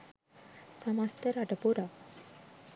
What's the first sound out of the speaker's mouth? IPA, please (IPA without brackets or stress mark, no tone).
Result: s